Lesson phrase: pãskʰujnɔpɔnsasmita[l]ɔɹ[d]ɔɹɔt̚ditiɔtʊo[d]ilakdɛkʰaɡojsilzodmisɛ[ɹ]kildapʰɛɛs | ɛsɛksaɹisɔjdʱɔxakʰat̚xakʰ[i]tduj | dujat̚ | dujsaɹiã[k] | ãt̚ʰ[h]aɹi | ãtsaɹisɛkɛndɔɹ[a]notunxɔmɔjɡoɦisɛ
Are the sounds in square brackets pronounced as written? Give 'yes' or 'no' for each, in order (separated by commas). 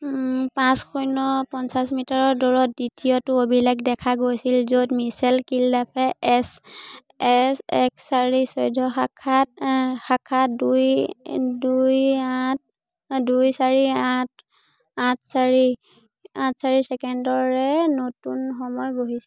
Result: no, yes, no, no, no, no, no, no